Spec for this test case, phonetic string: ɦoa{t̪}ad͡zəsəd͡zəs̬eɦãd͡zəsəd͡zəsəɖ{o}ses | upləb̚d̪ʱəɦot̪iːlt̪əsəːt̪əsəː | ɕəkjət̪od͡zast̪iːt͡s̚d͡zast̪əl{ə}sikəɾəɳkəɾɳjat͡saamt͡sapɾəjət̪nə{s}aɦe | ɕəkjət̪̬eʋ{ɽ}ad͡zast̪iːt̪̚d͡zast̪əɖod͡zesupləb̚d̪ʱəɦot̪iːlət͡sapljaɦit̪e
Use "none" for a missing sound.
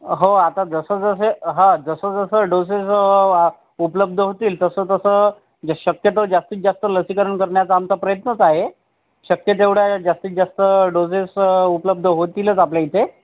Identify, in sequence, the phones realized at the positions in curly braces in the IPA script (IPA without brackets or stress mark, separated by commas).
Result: t̪, o, ə, t͡s, ɽ